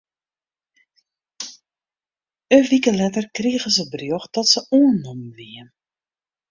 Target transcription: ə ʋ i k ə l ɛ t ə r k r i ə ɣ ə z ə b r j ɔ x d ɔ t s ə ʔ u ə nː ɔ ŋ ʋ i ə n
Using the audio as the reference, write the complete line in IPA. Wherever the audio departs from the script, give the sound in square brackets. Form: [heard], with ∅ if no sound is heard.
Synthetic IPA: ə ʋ i k ə l ɛ t ə r k r i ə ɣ ə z ə b r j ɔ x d ɔ t s ə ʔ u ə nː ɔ [m] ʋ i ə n